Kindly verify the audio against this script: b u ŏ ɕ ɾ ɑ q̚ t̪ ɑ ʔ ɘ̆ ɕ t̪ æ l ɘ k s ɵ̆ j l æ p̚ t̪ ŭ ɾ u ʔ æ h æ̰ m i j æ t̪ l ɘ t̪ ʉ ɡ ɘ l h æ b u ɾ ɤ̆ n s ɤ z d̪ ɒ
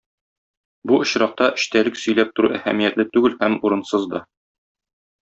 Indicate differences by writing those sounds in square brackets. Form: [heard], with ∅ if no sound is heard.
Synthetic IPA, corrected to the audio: b u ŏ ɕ ɾ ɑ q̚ t̪ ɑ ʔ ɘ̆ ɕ t̪ æ l ɘ k s ɵ̆ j l æ p̚ t̪ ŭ ɾ u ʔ æ h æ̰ m i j æ t̪ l ɘ t̪ ʉ ɡ ɘ l h æ [m] u ɾ ɤ̆ n s ɤ z d̪ ɒ